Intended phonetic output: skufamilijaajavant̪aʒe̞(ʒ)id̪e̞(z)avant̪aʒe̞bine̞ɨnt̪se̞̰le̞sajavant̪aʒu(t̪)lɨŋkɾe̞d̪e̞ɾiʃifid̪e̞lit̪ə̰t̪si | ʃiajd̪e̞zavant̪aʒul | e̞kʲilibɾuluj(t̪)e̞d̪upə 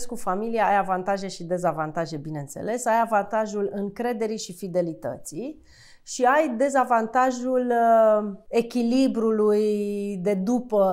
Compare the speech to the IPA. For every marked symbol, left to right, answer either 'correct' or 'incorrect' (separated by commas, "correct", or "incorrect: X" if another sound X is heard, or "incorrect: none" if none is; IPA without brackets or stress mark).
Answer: incorrect: ʃ, correct, incorrect: none, incorrect: d̪